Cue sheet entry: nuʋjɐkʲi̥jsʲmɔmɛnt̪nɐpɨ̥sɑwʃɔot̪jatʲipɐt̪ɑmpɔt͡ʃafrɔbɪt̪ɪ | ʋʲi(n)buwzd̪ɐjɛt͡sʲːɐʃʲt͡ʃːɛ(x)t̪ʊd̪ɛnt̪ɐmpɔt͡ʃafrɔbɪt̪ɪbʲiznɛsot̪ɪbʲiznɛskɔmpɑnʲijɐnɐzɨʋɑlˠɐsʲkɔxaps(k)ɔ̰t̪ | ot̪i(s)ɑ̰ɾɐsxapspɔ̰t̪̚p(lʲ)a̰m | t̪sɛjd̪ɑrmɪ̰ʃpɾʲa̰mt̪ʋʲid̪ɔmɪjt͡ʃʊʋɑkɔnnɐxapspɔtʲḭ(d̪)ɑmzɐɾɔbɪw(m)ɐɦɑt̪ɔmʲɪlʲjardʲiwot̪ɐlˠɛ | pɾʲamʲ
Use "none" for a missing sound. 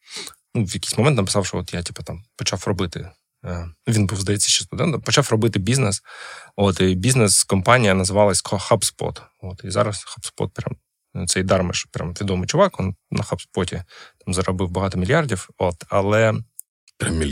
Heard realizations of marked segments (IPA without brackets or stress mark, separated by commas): n, s, p, z, ɾʲ, t̪, b